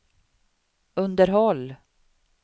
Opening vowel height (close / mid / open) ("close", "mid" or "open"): mid